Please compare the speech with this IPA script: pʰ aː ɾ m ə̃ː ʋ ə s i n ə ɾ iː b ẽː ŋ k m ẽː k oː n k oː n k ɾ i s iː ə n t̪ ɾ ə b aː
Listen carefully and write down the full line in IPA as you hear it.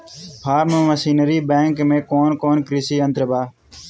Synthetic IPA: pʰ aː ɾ m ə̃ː ʋ ə s iː n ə ɾ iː b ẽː ŋ k m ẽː k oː n k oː n k ɾ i s iː ə n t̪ ɾ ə b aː